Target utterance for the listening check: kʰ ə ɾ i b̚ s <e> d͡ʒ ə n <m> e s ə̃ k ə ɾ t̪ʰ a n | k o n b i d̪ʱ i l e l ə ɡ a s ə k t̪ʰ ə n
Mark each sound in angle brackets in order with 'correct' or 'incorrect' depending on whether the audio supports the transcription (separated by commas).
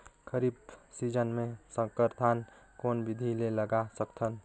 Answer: incorrect, correct